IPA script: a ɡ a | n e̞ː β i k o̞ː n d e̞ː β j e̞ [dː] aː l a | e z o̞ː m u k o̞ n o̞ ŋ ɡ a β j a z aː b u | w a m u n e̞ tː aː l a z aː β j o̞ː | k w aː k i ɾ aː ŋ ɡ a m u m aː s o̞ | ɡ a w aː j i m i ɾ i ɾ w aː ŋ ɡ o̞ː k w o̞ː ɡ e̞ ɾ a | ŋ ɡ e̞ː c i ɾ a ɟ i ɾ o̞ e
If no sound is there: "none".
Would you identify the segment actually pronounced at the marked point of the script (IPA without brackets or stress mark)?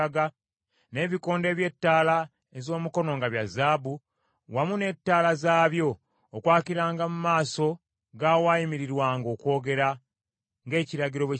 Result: tː